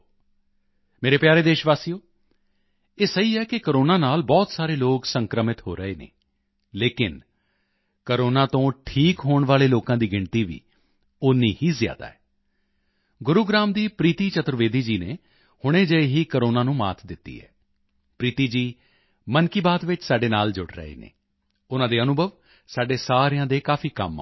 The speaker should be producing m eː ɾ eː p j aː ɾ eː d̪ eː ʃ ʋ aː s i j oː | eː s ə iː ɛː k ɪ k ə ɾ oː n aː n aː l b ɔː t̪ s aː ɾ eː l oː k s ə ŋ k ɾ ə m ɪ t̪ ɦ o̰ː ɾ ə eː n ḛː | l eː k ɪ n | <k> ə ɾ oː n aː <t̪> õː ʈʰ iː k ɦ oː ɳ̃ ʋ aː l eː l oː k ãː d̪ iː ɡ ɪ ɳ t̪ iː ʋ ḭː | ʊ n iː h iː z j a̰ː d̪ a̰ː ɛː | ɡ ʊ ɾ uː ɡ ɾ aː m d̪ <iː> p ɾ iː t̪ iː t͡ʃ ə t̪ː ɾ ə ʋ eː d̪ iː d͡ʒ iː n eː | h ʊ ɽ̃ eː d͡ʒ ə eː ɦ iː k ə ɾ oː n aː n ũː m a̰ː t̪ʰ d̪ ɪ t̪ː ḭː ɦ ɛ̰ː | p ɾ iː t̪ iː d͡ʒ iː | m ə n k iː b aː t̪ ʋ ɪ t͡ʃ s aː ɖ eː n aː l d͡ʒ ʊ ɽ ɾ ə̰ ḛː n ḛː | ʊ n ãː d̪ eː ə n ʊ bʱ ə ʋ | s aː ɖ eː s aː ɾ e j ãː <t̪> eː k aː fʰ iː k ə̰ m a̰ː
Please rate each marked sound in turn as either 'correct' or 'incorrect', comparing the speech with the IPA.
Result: correct, correct, correct, incorrect

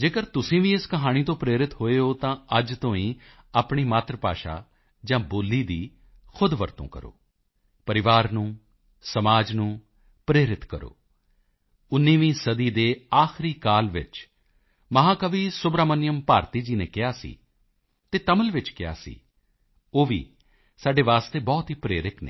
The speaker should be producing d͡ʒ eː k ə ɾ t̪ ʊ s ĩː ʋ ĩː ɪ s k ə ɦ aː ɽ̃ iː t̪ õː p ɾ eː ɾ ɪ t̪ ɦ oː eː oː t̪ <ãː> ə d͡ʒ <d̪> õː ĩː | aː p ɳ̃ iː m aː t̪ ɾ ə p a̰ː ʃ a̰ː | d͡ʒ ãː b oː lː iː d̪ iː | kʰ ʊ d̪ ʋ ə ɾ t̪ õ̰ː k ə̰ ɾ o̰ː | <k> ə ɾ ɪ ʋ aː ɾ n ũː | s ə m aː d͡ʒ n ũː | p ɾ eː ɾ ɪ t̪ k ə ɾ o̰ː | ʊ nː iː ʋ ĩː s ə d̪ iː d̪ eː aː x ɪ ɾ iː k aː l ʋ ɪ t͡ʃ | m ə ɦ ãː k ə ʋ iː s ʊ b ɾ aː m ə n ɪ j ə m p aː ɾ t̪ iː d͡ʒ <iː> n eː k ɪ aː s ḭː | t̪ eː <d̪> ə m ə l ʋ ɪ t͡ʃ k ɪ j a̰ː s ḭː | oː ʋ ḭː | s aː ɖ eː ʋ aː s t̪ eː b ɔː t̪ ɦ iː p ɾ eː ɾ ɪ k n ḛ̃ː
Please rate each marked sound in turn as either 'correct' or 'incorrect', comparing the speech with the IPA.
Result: correct, incorrect, incorrect, correct, incorrect

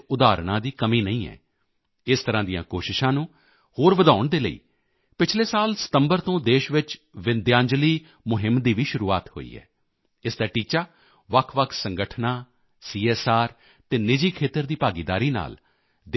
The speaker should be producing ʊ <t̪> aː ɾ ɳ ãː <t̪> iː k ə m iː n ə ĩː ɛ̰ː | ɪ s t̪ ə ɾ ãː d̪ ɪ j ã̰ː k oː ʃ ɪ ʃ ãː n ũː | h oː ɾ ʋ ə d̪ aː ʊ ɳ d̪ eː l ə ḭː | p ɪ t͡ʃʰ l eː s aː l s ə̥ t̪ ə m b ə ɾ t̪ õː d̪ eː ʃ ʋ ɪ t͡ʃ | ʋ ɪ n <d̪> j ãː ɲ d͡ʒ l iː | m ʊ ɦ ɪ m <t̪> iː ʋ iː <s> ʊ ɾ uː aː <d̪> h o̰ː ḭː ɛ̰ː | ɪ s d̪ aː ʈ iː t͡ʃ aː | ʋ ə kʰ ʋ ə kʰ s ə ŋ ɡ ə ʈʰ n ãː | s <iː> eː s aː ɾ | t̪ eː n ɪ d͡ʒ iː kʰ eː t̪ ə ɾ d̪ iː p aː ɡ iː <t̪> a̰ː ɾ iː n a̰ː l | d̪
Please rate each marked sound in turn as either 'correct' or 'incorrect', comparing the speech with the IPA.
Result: incorrect, incorrect, correct, incorrect, incorrect, incorrect, correct, incorrect

